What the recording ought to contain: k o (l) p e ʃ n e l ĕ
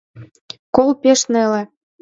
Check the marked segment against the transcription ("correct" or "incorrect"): correct